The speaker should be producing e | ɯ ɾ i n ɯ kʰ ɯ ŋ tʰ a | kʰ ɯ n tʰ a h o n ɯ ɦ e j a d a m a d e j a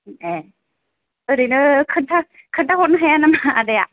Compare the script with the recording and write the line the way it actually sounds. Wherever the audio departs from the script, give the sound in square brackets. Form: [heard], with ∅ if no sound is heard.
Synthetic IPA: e | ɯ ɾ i n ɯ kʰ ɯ [n] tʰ a | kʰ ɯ n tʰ a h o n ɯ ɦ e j a [n] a m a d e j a

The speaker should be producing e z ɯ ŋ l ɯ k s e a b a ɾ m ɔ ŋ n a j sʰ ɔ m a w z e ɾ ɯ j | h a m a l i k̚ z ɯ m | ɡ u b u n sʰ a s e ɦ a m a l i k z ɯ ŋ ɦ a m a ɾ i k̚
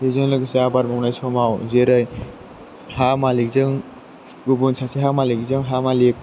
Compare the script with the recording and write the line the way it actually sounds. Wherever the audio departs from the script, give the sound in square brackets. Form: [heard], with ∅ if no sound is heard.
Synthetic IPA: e z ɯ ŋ l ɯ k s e a b a ɾ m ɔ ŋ n a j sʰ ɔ m a w z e ɾ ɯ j | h a m a l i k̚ z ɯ [ŋ] | ɡ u b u n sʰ a s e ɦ a m a l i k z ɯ ŋ ɦ a m a [l] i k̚

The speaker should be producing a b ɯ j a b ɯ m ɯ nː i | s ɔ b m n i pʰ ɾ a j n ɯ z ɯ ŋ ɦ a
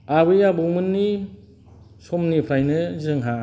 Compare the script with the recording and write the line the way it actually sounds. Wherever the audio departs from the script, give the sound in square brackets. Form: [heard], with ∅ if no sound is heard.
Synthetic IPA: a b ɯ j a b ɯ m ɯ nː i | s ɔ [∅] m n i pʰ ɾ a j n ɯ z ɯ ŋ ɦ a

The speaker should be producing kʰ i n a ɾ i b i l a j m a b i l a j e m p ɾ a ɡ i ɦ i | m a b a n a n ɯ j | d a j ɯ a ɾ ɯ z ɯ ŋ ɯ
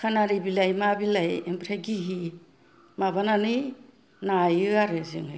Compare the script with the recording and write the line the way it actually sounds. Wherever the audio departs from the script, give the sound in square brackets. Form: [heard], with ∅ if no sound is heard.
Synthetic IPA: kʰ [a] n a ɾ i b i l a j m a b i l a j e m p ɾ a ɡ i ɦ i | m a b a n a n ɯ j | [n] a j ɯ a ɾ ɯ z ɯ ŋ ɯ

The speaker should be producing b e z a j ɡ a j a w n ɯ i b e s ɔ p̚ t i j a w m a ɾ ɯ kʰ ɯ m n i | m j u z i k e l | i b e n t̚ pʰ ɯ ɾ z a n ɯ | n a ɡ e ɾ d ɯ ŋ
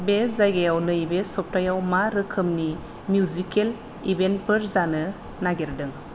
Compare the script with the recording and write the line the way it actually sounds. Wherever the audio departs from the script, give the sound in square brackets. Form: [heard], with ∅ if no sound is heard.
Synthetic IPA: b e z a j ɡ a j a w n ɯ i b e s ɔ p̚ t [a] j a w m a ɾ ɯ kʰ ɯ m n i | m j u z i k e l | i b e n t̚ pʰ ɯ ɾ z a n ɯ | n a ɡ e ɾ d ɯ ŋ

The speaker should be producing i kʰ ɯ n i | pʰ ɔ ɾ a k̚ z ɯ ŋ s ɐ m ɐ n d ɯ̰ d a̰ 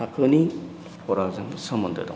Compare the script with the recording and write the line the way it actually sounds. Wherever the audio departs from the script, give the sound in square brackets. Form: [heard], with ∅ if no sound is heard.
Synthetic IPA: [a] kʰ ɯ n i | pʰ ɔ ɾ a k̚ z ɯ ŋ s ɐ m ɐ n d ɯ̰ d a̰

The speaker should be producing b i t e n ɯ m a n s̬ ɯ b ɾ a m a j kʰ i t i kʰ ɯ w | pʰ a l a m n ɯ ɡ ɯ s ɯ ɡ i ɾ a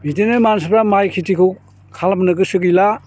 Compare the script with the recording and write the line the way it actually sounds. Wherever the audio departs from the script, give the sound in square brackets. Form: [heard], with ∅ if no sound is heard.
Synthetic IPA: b i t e n ɯ m a n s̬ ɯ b ɾ a m a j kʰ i t i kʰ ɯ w | [kʰ] a l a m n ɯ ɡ ɯ s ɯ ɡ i [l] a

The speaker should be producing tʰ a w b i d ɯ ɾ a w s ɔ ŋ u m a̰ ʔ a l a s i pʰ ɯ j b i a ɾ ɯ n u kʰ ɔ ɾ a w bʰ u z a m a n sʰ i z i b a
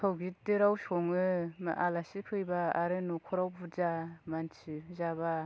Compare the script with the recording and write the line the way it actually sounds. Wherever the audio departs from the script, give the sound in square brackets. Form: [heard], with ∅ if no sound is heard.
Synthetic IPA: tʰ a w [ɡ] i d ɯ ɾ a w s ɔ ŋ [ɯ] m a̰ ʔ a l a s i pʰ ɯ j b [a] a ɾ ɯ n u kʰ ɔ ɾ a w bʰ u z a m a n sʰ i z [a] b a

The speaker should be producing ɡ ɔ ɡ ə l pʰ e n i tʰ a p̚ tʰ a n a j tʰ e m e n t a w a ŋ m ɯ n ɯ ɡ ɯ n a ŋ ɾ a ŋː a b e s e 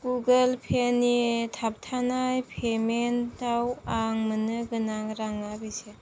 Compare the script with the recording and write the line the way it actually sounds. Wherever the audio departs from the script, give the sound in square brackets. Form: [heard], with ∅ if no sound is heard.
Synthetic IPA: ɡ [u] ɡ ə l pʰ e n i tʰ a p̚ tʰ a n a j [pʰ] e m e n t a w a ŋ m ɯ n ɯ ɡ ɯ n a ŋ ɾ a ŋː a b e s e

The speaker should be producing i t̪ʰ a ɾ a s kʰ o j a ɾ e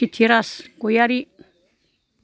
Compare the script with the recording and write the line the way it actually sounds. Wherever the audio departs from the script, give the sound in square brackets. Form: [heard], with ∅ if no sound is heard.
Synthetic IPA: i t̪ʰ [i] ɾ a s [k] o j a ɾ [i]

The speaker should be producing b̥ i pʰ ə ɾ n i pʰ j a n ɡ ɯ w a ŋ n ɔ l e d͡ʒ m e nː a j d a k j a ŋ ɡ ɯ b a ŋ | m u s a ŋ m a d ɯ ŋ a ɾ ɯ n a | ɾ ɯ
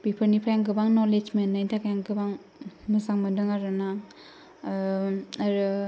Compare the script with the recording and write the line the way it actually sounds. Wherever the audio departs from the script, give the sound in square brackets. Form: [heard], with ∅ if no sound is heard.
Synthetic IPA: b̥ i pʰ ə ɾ n i pʰ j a [ŋ] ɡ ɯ [b] a ŋ n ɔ l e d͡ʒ m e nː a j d a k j a ŋ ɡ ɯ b a ŋ | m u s a ŋ m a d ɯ ŋ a ɾ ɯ n a | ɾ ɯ

